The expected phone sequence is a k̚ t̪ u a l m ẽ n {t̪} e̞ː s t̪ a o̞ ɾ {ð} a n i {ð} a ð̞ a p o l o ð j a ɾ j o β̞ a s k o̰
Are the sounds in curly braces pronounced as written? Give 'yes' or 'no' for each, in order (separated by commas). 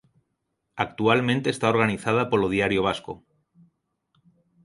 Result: yes, no, no